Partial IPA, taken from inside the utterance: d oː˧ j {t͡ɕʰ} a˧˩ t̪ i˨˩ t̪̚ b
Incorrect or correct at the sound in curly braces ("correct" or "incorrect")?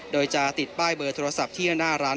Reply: incorrect